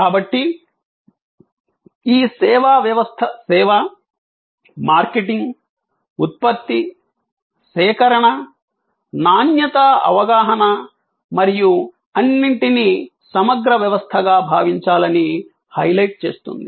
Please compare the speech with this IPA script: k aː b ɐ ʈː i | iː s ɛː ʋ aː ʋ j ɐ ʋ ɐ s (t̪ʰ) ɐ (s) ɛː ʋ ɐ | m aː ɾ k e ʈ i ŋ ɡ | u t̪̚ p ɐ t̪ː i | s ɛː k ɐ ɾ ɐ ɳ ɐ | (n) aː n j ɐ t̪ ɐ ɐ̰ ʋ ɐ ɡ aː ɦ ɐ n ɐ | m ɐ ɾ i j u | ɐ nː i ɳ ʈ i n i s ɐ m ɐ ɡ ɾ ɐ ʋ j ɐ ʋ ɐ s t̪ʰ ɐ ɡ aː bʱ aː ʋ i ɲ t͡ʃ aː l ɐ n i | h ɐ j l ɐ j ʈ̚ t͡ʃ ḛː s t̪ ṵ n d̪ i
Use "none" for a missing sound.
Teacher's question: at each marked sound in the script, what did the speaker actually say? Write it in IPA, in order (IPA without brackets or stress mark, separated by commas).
t̪ʰ, s, n